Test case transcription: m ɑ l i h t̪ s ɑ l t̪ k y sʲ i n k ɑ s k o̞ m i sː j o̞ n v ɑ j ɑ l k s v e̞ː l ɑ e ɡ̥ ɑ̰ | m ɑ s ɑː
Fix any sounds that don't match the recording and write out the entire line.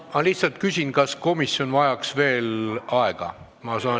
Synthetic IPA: m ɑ l i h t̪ s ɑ l t̪ k y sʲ i n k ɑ s k o̞ m i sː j o̞ n v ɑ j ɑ k s v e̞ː l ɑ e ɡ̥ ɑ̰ | m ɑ s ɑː